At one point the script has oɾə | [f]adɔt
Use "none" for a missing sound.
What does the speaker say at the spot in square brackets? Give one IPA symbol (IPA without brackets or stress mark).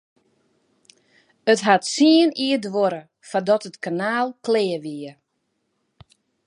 f